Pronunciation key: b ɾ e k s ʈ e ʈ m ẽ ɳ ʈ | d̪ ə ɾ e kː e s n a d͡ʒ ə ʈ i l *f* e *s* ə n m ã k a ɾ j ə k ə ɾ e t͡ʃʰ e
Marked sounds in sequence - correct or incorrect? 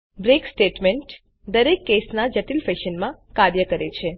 correct, incorrect: ʃ

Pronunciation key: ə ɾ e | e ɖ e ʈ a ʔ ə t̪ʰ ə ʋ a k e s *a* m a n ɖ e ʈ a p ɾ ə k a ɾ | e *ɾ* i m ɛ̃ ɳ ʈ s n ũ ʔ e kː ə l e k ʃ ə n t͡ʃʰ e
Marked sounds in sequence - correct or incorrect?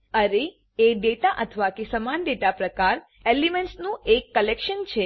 incorrect: ə, incorrect: l

